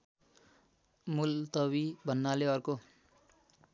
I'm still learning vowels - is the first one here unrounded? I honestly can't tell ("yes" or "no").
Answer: no